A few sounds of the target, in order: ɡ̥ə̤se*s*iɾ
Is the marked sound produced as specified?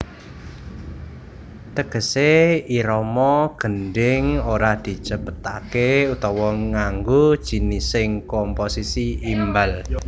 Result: no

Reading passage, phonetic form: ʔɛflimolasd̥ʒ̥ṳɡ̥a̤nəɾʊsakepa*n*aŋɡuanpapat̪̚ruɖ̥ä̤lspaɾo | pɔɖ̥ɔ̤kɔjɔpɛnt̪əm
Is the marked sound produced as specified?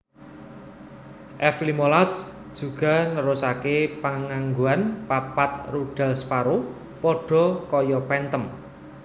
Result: no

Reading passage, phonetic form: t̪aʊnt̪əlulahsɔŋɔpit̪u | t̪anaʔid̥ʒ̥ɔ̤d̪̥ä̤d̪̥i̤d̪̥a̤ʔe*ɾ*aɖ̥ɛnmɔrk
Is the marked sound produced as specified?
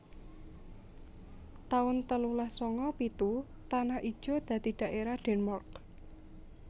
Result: yes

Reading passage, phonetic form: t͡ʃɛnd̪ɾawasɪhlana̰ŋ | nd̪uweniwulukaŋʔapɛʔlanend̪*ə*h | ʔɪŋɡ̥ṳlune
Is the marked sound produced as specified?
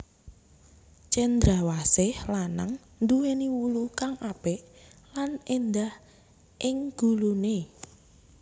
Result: no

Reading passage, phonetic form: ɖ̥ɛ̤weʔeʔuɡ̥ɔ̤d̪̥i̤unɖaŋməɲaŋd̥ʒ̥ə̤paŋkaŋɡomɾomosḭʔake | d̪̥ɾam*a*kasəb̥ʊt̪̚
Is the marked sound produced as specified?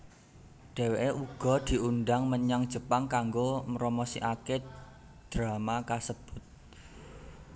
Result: yes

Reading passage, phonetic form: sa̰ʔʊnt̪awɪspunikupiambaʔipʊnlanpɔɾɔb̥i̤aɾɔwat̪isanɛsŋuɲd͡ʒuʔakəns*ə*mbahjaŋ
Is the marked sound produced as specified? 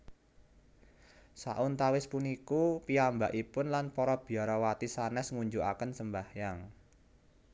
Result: yes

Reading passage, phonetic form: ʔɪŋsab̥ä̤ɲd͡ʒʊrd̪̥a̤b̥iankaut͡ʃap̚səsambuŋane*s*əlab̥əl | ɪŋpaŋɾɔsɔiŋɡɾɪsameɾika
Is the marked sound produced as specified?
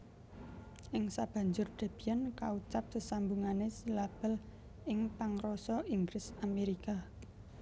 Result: yes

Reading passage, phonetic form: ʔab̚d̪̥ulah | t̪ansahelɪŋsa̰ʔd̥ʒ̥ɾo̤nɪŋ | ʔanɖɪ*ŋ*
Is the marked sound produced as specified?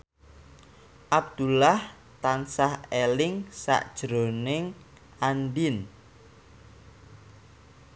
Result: no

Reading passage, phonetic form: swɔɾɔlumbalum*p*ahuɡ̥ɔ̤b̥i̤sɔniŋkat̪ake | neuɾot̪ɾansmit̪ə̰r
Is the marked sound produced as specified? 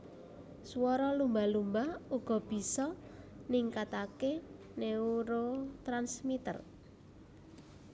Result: no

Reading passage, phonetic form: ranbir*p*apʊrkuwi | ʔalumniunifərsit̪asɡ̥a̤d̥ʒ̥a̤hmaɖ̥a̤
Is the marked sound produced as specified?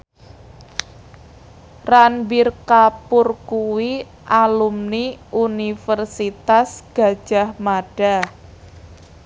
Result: no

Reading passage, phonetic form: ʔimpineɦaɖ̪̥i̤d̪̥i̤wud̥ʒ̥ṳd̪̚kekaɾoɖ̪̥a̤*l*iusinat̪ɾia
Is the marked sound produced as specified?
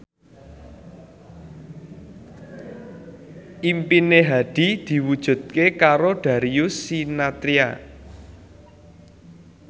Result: no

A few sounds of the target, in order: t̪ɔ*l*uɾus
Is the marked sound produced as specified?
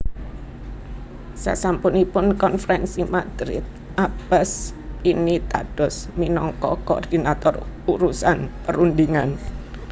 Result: no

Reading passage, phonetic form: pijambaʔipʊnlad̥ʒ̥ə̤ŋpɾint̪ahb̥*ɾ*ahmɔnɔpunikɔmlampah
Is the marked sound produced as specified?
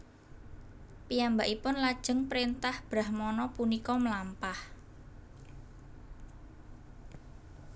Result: yes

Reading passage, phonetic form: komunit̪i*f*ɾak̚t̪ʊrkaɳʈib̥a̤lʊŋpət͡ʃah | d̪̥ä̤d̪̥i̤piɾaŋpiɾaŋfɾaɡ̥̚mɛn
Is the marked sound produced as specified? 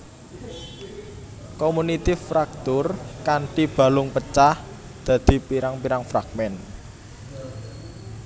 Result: yes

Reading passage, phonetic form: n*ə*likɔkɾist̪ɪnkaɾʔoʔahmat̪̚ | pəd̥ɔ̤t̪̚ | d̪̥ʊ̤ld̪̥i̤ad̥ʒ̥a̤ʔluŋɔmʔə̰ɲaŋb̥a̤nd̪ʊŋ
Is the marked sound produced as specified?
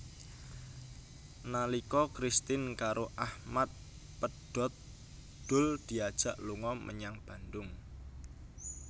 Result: no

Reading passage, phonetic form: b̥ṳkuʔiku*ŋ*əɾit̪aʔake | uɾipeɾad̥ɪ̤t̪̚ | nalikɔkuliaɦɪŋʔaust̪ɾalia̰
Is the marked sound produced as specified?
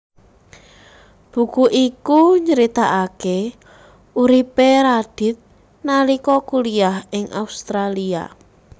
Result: no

